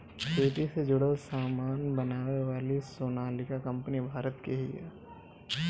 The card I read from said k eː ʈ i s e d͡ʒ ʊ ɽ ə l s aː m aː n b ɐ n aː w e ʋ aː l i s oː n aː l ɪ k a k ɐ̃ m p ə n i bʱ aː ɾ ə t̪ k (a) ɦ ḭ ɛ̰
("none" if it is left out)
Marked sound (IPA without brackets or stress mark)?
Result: e